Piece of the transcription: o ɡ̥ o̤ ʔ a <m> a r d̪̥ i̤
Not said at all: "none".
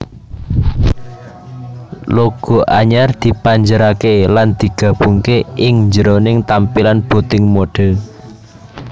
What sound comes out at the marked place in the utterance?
ɲ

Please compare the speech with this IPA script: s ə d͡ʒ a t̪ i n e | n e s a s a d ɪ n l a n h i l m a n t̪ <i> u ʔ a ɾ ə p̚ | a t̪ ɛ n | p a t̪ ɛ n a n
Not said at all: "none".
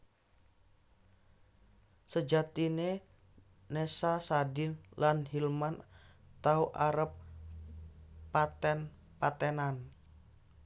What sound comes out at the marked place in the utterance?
a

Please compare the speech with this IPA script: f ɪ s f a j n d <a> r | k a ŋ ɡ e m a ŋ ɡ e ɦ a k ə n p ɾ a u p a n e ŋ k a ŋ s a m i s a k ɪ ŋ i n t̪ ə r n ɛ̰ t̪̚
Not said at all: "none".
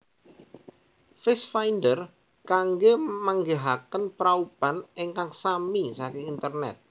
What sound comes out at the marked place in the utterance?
ə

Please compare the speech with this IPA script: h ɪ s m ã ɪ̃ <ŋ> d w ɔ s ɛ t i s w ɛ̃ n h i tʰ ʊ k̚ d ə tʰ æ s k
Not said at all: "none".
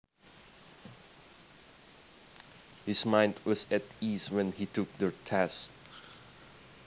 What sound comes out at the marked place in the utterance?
n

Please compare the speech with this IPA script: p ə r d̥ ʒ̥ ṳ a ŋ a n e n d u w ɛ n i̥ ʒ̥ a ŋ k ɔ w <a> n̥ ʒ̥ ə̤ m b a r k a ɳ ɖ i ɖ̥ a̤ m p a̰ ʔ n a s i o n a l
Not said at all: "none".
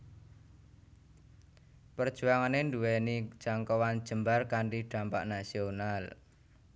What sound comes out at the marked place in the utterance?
a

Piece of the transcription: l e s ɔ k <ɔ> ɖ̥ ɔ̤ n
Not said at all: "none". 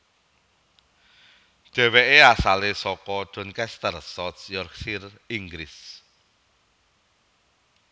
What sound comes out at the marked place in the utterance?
ɔ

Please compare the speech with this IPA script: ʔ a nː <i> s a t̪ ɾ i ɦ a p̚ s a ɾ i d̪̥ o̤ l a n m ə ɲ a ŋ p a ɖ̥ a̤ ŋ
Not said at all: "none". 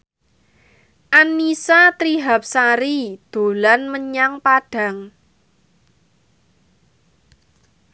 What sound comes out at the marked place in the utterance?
i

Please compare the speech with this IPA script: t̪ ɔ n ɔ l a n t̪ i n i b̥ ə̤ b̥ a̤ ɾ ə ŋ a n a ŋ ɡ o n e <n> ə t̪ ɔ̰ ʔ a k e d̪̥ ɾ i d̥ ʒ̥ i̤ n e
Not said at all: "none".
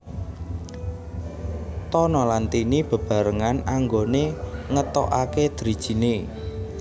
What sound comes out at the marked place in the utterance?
ŋ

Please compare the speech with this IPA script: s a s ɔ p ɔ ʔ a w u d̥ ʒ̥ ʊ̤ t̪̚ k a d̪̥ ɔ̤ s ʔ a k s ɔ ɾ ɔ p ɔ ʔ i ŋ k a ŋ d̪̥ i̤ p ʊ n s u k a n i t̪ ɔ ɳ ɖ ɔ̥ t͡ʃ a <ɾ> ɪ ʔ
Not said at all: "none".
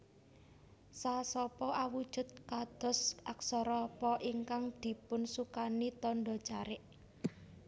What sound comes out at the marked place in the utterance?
ɾ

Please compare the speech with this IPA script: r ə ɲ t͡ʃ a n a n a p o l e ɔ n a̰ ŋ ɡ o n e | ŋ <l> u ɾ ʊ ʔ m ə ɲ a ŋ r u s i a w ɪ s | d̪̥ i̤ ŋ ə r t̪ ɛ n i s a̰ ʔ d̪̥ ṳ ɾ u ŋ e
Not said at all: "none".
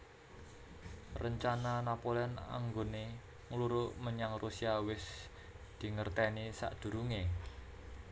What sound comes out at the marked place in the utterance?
l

